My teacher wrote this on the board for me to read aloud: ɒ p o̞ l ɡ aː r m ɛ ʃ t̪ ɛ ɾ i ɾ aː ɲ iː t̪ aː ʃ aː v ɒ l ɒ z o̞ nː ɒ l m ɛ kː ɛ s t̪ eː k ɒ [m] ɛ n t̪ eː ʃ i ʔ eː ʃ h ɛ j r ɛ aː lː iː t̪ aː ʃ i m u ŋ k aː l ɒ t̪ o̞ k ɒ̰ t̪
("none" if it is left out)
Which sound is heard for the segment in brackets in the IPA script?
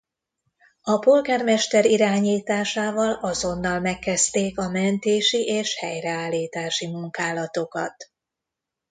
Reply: m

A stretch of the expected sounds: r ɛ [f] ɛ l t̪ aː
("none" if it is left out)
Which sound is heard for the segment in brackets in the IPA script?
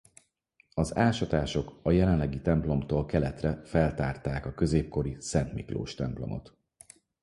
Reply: f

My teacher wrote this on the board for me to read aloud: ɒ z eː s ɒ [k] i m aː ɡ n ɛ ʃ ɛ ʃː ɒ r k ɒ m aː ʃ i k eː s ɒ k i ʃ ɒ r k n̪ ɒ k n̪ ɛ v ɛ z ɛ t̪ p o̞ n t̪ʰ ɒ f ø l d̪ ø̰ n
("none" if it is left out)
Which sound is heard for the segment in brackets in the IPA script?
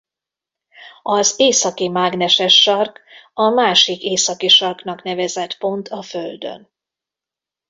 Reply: k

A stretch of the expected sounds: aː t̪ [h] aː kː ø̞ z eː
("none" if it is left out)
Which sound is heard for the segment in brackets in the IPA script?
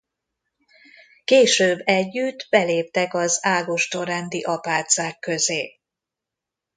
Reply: s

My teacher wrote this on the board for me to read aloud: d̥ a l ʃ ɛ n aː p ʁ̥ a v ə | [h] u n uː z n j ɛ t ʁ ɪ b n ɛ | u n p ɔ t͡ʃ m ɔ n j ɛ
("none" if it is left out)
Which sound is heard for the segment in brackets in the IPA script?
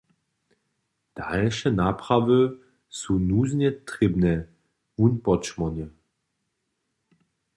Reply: s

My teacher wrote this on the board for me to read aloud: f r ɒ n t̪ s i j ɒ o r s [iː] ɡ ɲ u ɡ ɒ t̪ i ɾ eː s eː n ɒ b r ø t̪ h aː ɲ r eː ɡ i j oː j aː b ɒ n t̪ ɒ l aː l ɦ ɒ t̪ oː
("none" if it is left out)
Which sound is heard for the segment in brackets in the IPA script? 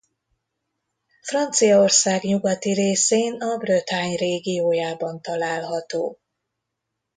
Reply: aː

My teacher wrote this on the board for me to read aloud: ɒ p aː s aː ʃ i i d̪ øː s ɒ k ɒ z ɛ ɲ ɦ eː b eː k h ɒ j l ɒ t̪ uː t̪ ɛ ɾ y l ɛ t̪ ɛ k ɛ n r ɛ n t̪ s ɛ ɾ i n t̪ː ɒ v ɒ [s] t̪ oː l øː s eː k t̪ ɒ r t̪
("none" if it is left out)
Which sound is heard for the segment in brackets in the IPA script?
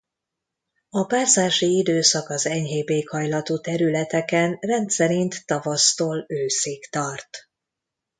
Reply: s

